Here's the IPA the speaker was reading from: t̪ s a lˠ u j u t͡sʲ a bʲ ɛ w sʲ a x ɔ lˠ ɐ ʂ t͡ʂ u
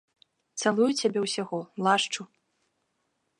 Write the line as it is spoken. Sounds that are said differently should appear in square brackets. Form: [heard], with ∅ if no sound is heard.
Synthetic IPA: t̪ s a lˠ u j u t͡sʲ a bʲ ɛ w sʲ a [ɣ] ɔ lˠ [a] ʂ t͡ʂ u